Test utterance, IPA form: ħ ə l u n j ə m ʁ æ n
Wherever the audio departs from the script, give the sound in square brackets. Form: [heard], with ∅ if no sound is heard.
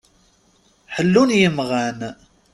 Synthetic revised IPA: ħ ə [lː] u n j ə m ʁ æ n